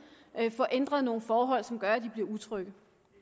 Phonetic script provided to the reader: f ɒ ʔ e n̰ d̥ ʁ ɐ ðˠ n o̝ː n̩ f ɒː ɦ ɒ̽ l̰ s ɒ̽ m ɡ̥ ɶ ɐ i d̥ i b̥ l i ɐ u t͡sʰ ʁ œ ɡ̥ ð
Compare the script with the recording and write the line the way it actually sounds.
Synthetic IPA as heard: f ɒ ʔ e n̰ d̥ ʁ ɐ ðˠ n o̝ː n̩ f ɒː ɦ ɒ̽ l̰ s ɒ̽ m ɡ̥ ɶ ɐ æ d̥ i b̥ l i ɐ u t͡sʰ ʁ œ ɡ̥ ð